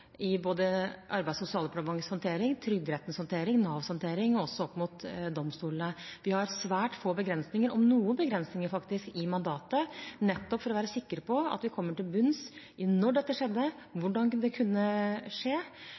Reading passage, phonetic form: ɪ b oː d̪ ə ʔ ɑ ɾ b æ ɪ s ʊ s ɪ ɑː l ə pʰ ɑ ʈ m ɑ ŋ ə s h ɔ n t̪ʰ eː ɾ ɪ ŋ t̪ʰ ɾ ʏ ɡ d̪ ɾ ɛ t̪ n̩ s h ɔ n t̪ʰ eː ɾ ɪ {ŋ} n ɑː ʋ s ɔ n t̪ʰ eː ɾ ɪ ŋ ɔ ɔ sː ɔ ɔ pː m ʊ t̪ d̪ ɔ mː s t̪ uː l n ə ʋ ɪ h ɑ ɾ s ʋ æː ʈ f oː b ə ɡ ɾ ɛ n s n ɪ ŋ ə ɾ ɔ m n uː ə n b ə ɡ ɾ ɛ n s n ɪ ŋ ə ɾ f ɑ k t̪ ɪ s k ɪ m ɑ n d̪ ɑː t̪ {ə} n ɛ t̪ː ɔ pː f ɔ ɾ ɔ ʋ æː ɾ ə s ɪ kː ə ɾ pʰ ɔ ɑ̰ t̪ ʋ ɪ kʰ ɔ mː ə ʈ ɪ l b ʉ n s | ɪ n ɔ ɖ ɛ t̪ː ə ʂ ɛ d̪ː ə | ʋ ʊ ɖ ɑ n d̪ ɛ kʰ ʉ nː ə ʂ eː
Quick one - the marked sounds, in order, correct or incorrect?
correct, correct

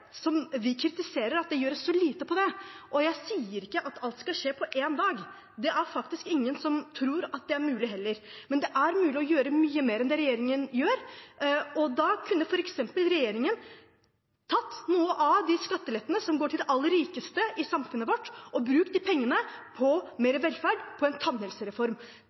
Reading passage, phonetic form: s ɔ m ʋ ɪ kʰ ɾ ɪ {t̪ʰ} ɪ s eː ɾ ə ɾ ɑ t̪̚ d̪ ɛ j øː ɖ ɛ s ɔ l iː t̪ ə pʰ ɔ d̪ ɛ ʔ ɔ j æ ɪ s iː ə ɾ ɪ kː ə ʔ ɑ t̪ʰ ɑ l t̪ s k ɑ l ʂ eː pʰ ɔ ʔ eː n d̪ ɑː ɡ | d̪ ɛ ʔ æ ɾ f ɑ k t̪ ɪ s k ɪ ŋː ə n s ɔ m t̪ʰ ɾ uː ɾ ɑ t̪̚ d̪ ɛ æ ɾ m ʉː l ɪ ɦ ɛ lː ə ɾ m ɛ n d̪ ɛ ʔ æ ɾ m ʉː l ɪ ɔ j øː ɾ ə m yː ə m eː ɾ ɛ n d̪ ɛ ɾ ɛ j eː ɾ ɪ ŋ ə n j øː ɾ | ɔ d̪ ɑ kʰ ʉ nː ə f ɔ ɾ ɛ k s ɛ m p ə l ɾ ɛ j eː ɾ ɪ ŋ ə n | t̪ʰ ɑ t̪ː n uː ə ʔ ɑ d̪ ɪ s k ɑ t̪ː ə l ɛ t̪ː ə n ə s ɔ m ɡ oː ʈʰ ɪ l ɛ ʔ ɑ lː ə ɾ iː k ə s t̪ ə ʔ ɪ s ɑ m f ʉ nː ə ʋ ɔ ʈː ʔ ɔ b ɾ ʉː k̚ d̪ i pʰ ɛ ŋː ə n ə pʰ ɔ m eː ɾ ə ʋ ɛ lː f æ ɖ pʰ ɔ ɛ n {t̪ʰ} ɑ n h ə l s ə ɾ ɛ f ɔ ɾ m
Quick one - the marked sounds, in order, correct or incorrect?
incorrect, correct

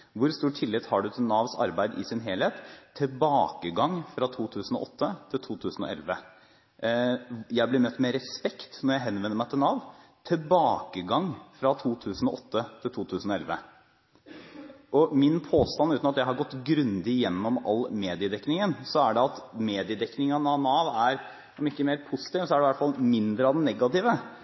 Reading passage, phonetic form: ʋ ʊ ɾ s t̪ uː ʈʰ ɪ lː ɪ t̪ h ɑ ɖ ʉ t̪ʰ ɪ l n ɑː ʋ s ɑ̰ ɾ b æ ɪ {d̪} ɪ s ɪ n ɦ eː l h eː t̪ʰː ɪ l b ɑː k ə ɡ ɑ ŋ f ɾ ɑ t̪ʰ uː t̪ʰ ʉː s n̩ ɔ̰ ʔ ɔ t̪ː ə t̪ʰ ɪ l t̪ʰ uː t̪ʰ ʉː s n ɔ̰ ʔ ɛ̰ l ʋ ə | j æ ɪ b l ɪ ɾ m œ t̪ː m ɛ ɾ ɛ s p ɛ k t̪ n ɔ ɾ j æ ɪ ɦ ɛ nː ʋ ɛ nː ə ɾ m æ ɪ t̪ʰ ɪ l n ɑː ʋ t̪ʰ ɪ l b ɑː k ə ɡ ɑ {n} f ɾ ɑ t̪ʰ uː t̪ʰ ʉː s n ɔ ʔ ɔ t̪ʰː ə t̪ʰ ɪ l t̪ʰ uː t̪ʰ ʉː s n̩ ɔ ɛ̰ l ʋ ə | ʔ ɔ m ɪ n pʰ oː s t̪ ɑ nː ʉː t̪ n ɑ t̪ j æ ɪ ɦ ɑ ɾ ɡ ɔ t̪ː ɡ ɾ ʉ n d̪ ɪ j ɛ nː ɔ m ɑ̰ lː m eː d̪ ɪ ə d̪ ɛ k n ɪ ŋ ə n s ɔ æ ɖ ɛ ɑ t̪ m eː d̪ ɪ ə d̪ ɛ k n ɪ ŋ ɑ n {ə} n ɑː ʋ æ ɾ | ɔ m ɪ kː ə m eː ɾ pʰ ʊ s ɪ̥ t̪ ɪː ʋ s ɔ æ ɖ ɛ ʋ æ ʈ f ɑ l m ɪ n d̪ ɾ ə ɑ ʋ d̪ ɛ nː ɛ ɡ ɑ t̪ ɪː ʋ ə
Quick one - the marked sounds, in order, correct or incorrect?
correct, incorrect, incorrect

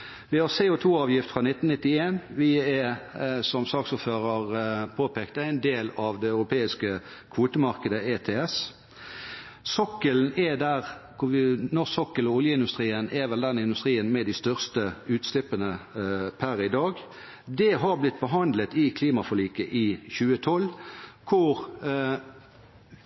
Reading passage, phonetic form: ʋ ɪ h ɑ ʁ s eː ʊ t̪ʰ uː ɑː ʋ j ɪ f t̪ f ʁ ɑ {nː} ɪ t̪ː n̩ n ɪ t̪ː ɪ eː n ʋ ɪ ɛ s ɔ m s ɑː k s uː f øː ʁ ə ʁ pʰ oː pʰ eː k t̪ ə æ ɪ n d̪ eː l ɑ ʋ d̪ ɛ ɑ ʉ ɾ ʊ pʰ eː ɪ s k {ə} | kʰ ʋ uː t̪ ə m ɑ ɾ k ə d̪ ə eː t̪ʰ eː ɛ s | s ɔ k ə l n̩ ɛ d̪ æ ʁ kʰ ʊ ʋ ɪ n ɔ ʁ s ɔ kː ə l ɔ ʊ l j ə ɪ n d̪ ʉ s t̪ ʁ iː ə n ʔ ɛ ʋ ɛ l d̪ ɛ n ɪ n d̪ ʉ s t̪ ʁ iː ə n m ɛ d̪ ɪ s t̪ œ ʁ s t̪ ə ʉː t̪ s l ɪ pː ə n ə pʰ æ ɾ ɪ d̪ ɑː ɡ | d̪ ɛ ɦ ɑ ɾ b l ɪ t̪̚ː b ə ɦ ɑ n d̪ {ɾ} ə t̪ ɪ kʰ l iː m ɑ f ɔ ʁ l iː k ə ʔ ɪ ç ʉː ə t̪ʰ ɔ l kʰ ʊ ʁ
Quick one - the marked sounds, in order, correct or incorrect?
incorrect, correct, incorrect

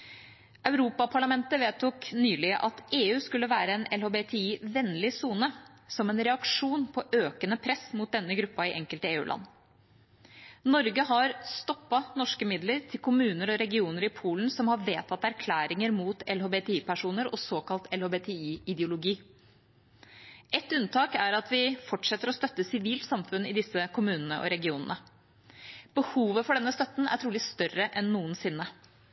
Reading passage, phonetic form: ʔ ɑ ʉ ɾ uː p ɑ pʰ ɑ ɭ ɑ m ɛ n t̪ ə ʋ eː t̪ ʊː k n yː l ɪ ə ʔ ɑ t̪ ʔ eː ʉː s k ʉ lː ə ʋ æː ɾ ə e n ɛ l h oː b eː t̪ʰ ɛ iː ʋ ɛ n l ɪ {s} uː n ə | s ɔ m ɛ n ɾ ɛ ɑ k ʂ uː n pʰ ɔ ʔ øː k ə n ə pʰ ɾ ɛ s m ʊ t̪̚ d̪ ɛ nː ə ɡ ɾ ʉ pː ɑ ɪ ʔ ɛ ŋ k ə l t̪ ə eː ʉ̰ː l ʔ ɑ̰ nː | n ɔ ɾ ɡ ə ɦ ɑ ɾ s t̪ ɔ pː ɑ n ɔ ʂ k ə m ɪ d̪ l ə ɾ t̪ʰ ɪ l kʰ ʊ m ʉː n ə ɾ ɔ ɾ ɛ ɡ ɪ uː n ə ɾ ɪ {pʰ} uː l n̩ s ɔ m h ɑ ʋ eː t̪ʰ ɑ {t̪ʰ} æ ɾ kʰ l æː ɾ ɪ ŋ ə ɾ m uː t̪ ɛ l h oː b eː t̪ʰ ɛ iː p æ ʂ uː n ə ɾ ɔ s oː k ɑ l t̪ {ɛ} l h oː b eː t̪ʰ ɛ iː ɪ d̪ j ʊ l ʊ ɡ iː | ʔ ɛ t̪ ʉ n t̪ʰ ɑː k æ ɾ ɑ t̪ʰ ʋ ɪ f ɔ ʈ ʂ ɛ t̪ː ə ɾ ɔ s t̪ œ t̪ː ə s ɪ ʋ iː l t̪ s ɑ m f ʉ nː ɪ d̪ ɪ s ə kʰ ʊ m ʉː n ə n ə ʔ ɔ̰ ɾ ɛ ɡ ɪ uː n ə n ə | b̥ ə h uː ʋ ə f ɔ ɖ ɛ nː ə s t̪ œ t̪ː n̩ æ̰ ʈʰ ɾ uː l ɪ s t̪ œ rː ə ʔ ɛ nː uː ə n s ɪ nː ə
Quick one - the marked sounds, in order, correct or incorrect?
correct, correct, incorrect, correct

